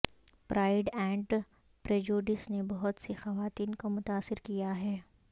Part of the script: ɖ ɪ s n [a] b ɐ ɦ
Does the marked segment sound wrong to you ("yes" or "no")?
yes